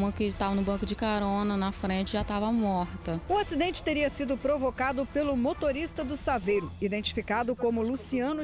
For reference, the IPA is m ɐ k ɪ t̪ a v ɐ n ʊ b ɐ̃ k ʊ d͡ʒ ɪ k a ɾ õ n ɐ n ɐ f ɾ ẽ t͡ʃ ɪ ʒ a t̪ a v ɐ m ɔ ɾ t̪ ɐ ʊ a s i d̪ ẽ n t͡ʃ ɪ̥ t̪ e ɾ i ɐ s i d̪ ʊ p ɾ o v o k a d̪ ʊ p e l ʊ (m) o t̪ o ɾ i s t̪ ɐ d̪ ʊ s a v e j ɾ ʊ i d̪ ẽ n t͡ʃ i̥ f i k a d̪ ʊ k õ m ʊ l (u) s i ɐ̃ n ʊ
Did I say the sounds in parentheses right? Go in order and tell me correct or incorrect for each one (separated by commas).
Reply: correct, correct